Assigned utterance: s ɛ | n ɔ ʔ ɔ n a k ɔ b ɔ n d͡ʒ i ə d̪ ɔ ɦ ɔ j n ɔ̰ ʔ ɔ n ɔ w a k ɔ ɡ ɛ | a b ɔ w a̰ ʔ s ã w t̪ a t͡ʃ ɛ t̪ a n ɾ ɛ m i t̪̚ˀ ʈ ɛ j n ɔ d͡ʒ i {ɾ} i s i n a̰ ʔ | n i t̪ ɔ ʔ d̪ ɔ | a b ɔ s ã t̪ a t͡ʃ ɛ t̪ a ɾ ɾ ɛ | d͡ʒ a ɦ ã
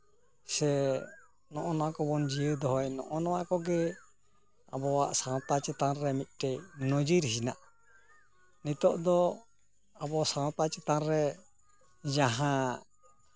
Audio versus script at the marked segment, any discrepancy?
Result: no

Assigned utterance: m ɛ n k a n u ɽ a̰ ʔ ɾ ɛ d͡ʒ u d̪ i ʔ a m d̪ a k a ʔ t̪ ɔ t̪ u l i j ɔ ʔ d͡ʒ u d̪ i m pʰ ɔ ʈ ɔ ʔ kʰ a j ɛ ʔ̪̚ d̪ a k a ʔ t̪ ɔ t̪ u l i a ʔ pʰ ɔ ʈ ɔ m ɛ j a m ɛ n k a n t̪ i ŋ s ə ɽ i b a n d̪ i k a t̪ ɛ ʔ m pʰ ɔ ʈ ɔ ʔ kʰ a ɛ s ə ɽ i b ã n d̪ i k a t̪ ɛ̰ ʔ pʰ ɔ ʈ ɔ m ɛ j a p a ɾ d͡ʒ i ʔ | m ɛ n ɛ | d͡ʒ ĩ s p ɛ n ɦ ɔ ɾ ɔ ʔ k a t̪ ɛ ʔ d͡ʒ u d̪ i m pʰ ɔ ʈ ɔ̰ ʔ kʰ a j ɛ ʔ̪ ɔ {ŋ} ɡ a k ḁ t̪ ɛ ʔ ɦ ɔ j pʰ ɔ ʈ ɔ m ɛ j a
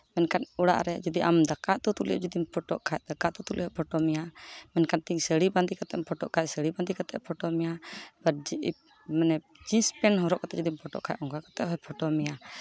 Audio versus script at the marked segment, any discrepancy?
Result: no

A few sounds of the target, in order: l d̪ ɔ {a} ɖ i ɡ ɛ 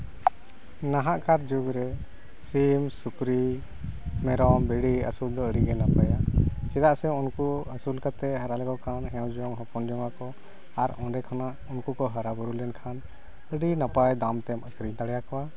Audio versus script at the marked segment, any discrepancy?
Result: yes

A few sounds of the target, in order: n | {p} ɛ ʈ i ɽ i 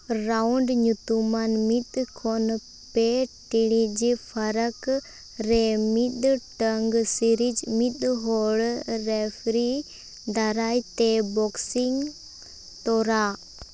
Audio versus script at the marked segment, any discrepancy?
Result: no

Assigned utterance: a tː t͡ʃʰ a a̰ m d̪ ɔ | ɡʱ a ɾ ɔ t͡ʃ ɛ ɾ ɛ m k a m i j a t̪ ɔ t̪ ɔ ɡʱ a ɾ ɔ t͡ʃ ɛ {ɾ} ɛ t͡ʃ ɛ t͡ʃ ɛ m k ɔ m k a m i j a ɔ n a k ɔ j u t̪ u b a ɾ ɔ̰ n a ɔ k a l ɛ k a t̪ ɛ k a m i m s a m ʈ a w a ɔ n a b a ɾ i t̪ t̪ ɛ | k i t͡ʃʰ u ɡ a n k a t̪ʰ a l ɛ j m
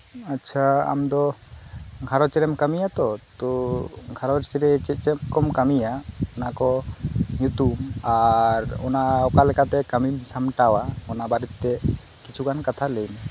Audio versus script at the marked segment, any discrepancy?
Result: no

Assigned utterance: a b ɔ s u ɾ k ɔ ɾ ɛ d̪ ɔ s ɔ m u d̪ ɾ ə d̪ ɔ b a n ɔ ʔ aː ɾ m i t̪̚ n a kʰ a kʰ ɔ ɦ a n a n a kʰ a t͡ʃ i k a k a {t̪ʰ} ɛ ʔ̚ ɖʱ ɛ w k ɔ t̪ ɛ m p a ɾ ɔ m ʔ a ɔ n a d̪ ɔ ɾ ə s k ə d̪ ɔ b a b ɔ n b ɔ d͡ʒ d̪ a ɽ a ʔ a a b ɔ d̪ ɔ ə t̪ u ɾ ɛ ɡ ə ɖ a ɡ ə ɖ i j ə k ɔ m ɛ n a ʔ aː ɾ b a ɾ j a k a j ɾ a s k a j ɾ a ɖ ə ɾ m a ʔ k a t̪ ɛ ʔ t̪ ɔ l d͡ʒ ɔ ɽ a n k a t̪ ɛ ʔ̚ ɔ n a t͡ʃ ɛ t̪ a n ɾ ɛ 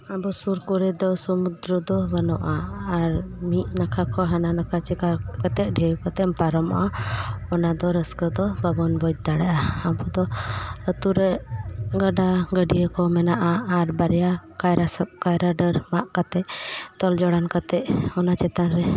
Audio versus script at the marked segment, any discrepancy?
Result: yes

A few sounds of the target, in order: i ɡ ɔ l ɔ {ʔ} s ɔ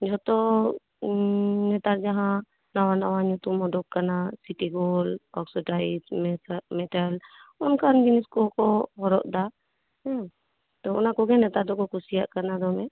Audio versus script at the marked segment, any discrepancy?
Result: yes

